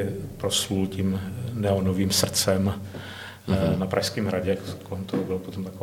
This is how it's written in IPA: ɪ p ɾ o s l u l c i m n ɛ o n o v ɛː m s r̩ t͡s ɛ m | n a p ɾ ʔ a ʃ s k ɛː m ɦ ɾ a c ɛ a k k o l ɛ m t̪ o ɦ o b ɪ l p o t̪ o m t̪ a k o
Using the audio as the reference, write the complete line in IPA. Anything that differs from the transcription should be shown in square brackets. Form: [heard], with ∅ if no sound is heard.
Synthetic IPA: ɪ p ɾ o s l u l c i m n ɛ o n o v [iː] m s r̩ t͡s ɛ m | n a p ɾ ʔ a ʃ s k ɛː m ɦ ɾ a [ɟ] ɛ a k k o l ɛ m t̪ o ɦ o b ɪ l p o t̪ o m t̪ a k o